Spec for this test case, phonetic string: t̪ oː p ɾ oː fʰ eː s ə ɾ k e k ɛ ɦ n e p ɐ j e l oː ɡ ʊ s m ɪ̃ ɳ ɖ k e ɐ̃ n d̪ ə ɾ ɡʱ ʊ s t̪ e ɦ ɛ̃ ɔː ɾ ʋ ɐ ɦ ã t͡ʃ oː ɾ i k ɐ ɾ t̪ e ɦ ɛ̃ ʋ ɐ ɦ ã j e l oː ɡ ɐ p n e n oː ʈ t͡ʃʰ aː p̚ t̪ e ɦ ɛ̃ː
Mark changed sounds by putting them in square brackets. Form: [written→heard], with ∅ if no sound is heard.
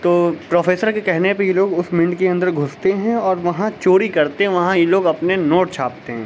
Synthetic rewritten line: t̪ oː p ɾ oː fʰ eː s ə ɾ k e k ɛ ɦ n e p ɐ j e l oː ɡ ʊ s m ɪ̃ ɳ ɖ k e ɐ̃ n d̪ ə ɾ ɡʱ ʊ s t̪ e ɦ ɛ̃ ɔː ɾ ʋ ɐ ɦ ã t͡ʃ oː ɾ i k ɐ ɾ t̪ e ɦ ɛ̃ ʋ ɐ ɦ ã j e l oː ɡ ɐ p n e n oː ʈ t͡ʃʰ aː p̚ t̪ e ɦ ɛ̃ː